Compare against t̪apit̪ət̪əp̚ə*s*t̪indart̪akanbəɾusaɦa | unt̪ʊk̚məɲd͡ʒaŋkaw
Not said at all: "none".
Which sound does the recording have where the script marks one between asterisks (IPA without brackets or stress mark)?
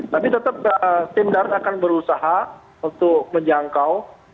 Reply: s